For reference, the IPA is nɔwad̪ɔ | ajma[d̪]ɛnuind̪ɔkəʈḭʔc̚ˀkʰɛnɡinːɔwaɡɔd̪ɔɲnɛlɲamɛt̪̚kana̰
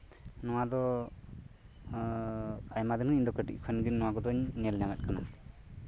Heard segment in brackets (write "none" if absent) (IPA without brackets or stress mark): d̪